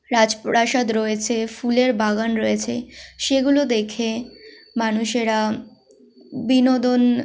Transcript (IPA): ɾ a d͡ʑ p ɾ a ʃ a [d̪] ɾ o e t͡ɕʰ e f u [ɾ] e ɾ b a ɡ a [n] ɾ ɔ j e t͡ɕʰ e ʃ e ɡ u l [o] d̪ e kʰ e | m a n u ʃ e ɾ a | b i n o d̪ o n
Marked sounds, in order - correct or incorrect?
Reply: correct, incorrect: l, correct, correct

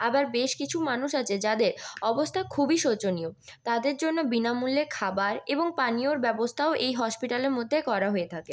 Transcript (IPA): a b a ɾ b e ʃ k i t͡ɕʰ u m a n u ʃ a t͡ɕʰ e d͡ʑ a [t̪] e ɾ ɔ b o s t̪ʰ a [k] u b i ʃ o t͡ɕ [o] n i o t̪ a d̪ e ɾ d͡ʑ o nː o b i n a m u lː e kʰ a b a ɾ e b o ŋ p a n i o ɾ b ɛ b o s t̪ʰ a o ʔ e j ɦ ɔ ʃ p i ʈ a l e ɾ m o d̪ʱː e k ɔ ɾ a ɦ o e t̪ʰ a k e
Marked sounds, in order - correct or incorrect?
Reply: incorrect: d̪, incorrect: kʰ, correct

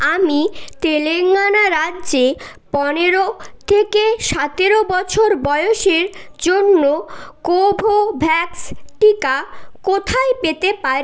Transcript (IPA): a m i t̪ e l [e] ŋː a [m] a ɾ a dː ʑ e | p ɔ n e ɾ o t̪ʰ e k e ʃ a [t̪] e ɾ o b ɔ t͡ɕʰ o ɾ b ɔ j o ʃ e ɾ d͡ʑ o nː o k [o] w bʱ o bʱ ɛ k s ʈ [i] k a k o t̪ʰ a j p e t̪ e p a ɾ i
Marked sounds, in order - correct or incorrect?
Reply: correct, incorrect: n, correct, correct, correct

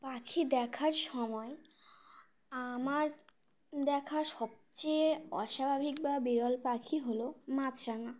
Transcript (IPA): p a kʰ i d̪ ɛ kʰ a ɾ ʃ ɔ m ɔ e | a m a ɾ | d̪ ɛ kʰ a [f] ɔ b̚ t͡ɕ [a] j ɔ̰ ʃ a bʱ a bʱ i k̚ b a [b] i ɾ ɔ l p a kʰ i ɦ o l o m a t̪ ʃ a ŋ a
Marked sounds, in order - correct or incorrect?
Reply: incorrect: ʃ, incorrect: e, correct

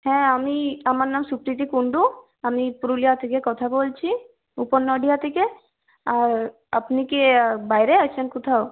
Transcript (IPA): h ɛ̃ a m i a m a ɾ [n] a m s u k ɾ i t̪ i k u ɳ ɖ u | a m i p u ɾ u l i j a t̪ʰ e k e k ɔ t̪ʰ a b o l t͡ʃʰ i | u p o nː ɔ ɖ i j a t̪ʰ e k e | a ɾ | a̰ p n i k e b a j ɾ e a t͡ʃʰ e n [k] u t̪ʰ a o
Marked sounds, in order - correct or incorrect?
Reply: correct, correct

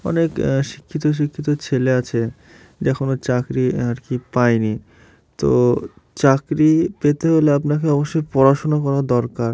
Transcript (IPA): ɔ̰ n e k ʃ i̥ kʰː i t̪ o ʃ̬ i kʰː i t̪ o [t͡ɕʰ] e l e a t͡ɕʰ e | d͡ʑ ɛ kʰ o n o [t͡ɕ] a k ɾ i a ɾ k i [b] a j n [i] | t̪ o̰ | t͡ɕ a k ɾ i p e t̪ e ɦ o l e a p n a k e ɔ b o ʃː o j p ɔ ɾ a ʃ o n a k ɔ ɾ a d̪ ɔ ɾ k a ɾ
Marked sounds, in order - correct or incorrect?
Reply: correct, correct, incorrect: p, correct

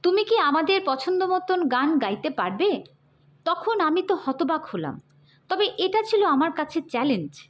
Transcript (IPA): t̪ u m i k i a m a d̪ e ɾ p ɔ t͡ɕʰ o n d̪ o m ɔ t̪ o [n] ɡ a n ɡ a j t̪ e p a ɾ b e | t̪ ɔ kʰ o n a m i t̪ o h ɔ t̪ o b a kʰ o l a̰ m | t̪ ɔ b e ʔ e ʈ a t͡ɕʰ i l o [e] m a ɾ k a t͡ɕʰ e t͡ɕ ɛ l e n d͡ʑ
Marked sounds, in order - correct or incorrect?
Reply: correct, incorrect: a

